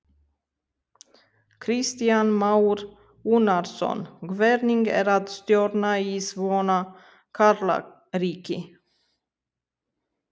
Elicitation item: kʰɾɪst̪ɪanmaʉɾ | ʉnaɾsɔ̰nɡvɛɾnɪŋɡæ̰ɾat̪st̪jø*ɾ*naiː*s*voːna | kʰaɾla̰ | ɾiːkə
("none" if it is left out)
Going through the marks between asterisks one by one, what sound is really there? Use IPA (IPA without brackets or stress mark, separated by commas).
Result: ɾ, s